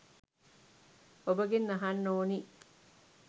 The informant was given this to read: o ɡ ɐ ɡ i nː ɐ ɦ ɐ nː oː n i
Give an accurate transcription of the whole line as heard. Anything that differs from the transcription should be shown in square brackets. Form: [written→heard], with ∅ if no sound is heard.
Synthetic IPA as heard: o [ɡ→b] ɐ ɡ [i→e] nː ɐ ɦ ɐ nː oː n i